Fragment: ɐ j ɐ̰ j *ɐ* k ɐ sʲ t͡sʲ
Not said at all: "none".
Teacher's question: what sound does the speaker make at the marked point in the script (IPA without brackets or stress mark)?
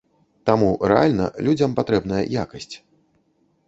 a